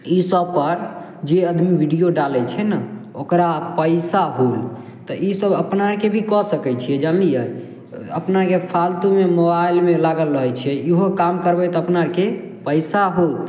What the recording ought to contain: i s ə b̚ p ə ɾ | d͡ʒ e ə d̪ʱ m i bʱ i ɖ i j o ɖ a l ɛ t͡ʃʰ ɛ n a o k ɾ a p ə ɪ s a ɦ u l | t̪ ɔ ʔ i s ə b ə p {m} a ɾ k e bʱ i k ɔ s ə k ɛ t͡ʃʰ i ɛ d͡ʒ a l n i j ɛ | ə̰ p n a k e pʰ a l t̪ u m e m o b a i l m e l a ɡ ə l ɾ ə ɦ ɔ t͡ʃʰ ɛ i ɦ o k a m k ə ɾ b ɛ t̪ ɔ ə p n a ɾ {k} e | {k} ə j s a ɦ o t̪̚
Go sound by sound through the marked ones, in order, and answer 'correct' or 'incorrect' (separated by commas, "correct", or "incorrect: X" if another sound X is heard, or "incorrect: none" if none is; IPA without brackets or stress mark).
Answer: incorrect: n, correct, incorrect: p